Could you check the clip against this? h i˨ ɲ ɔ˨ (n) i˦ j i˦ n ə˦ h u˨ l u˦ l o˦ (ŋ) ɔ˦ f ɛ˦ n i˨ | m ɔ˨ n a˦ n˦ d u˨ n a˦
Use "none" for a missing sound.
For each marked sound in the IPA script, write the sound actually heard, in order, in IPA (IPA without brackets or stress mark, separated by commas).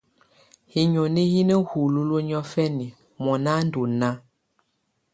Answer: n, ɲ